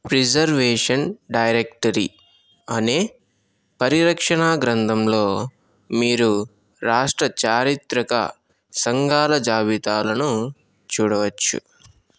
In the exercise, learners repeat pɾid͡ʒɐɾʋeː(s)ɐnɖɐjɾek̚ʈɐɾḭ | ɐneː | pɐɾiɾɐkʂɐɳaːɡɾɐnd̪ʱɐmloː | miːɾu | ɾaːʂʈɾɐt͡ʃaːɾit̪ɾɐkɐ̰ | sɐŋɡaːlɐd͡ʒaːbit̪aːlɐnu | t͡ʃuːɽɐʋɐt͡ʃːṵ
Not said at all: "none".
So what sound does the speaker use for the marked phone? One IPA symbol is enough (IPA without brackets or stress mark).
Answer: ʂ